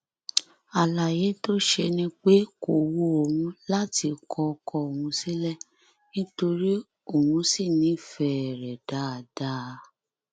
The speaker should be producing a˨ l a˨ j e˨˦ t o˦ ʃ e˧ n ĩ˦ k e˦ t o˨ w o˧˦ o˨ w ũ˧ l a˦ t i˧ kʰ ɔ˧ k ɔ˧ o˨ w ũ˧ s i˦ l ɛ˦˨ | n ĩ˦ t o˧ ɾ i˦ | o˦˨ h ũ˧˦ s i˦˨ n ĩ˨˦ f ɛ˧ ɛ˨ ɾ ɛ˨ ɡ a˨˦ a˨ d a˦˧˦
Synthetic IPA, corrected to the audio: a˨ l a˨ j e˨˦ t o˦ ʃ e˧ n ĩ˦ k͡p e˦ k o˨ w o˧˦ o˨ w ũ˧ l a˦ t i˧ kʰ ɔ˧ k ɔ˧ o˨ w ũ˧ s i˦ l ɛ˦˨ | n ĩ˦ t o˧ ɾ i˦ | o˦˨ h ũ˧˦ s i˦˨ n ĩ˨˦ f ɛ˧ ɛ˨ ɾ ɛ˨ d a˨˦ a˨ d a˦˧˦

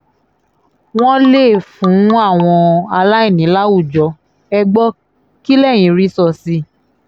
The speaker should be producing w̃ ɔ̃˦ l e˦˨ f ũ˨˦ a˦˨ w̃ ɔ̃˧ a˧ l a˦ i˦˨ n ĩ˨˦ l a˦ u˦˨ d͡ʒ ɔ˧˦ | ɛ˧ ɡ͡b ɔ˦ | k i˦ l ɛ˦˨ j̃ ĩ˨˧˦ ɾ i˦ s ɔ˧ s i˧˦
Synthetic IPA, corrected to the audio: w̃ ɔ̃˦ l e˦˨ f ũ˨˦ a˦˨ w̃ ɔ̃˧ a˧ l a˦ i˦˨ n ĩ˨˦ l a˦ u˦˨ d͡ʒ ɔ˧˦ | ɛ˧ ɡ͡b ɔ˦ | k i˦ l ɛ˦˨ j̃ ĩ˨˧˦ ɾ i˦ s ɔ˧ s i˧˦

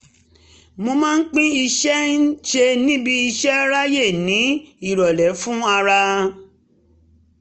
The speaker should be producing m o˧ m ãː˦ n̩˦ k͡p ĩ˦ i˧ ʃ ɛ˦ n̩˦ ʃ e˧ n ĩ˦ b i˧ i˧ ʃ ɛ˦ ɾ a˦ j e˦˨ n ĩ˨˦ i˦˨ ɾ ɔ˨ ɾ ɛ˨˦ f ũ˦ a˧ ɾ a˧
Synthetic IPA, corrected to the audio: m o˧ m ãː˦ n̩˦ k͡p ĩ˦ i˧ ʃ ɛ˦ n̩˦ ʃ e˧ n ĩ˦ b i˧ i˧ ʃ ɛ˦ ɾ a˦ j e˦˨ n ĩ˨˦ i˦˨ ɾ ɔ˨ l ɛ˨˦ f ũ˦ a˧ ɾ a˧

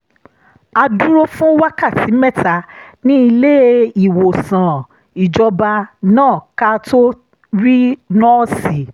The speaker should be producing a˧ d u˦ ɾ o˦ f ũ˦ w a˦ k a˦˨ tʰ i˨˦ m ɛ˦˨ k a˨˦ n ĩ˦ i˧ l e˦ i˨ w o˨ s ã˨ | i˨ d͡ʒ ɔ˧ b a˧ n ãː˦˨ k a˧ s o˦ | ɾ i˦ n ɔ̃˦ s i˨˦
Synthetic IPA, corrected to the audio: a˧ d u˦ ɾ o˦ f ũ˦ w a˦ k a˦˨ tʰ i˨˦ m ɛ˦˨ t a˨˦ n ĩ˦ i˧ l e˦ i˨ w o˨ s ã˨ | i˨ d͡ʒ ɔ˧ b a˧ n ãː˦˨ k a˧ t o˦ | ɾ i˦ n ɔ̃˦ s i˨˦

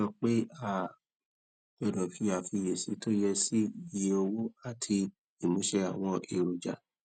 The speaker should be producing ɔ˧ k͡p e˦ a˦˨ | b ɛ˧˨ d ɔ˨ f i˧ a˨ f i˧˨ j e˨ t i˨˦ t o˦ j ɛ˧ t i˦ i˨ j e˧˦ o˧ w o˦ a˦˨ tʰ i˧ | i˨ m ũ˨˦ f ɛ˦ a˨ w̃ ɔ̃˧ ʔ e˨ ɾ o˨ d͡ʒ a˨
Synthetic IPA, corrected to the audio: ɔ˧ k͡p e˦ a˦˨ | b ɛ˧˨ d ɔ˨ f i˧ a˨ f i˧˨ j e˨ s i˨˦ t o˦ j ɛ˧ s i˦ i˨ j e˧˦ o˧ w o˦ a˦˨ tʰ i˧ | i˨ m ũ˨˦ ʃ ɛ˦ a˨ w̃ ɔ̃˧ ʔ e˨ ɾ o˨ d͡ʒ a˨

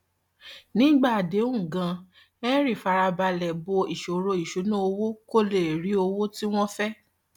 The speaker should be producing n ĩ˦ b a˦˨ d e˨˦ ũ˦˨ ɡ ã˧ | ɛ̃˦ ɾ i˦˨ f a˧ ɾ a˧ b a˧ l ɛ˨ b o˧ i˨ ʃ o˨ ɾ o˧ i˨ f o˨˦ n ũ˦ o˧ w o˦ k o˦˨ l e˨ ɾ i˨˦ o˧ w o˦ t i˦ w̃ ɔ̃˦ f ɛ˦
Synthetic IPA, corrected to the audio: n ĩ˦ ɡ͡b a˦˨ d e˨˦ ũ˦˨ ɡ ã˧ | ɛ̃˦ ɾ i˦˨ f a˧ ɾ a˧ b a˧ l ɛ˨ b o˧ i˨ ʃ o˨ ɾ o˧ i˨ ʃ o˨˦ n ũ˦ o˧ w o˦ k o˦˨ l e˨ ɾ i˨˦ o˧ w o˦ t i˦ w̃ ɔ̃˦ f ɛ˦

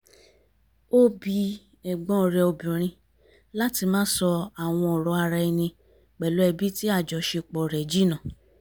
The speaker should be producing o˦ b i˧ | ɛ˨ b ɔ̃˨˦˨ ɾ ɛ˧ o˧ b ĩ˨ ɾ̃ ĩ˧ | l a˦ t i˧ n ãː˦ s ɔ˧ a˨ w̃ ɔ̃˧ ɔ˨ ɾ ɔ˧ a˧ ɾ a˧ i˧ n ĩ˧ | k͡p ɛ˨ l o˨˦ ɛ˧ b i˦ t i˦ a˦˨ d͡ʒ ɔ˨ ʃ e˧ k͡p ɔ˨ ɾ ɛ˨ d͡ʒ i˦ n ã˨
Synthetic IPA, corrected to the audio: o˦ b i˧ | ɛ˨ ɡ͡b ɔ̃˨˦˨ ɾ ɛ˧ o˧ b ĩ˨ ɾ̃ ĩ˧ | l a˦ t i˧ m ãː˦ s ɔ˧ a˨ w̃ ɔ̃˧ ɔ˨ ɾ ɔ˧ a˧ ɾ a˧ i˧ n ĩ˧ | k͡p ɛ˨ l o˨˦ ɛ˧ b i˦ t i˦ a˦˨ d͡ʒ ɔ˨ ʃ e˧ k͡p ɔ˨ ɾ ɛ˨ d͡ʒ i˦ n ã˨

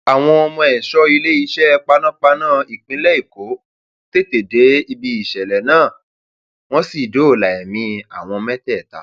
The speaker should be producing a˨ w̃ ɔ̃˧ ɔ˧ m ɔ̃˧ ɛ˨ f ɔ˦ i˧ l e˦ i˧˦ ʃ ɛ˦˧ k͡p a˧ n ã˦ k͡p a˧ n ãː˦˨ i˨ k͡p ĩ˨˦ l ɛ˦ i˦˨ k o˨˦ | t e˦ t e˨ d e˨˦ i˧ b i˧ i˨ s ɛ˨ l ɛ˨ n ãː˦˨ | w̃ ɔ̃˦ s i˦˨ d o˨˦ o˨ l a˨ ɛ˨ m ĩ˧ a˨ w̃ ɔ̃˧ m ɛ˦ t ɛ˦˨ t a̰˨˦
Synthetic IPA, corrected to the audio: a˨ w̃ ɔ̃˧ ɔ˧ m ɔ̃˧ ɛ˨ ʃ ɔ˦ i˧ l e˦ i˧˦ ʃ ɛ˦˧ k͡p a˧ n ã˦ k͡p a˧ n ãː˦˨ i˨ k͡p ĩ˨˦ l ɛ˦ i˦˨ k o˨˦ | t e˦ t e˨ d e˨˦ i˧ b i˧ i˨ ʃ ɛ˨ l ɛ˨ n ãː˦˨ | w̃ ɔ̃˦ s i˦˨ d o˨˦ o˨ l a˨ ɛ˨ m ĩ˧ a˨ w̃ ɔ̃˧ m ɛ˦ t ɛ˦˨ t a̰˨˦

